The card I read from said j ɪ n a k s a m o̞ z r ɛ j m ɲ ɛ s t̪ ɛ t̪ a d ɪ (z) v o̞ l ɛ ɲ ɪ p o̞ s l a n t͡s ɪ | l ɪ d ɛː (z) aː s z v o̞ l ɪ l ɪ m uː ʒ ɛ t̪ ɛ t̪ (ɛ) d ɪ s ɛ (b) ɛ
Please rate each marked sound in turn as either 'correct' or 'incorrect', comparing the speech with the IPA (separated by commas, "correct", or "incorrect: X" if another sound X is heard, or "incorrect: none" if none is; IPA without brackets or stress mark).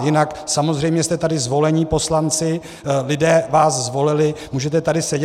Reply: correct, incorrect: v, incorrect: a, incorrect: ɟ